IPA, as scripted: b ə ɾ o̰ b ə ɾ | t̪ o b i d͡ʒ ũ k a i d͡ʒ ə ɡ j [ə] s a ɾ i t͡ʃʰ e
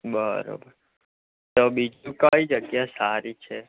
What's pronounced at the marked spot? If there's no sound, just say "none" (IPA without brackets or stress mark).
a